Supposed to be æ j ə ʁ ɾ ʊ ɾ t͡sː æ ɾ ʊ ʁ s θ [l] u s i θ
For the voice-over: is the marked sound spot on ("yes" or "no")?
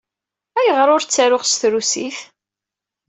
no